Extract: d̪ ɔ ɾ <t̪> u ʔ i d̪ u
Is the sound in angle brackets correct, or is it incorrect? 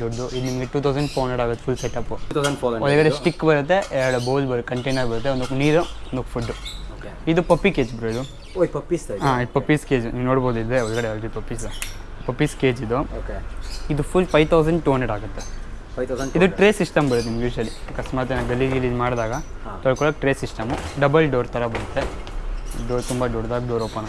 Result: incorrect